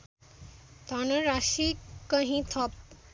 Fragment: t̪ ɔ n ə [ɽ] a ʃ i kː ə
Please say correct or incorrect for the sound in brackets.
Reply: incorrect